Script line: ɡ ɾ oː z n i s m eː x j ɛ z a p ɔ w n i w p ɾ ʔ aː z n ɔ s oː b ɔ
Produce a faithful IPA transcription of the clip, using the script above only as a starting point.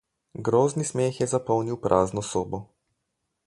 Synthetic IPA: ɡ ɾ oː z n i s m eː x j ɛ z a p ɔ w n i w p ɾ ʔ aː z n ɔ s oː b ɔ